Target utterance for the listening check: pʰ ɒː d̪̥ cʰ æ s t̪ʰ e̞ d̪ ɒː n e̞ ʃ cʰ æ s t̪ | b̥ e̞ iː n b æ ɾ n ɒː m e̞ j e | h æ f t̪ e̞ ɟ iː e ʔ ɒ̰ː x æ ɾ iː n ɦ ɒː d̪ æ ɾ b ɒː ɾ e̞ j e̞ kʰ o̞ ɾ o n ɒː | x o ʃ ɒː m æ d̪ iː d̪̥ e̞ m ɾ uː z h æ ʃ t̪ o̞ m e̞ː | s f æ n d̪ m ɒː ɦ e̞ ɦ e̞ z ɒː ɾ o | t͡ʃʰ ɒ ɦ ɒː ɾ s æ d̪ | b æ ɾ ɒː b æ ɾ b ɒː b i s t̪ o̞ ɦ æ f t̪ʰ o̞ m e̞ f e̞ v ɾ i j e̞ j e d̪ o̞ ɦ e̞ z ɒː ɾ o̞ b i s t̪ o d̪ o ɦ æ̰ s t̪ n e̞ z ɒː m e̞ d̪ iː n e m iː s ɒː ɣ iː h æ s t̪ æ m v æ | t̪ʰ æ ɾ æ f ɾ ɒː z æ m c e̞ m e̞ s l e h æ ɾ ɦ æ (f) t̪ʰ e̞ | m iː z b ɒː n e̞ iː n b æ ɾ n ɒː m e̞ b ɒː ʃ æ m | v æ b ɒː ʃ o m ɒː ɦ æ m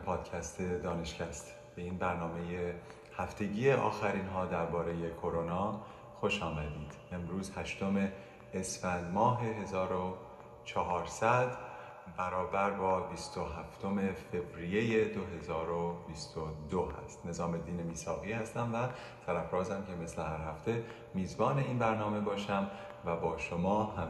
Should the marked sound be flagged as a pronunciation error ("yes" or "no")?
no